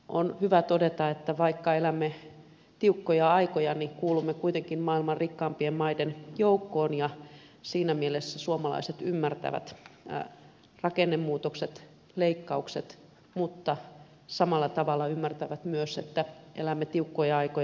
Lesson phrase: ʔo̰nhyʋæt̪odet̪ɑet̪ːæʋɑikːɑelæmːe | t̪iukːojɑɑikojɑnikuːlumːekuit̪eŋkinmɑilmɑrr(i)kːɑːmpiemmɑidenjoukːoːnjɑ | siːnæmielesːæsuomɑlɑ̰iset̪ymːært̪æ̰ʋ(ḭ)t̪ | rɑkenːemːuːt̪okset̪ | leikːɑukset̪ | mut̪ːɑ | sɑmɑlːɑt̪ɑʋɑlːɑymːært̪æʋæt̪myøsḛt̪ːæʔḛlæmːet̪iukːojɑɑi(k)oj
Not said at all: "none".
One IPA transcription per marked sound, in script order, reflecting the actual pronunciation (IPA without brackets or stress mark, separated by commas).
i, æ̰, k